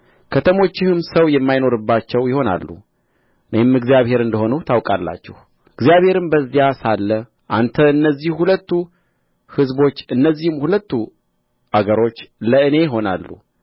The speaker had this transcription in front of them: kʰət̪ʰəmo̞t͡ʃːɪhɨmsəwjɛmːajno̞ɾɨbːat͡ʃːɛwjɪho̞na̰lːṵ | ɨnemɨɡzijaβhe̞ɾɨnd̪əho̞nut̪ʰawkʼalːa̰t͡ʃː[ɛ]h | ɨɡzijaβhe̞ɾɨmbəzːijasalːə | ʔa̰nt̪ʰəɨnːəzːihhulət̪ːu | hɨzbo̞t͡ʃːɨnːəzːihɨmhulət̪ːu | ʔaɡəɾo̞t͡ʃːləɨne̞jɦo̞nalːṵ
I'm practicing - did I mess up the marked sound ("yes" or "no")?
no